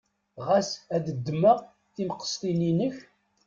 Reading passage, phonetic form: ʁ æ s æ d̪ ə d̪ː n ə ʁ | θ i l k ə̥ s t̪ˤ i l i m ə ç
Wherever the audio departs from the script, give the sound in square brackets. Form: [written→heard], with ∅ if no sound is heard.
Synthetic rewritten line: ʁ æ s æ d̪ ə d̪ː [n→m] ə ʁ | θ i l [k→q] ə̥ s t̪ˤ i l i [m→n] ə ç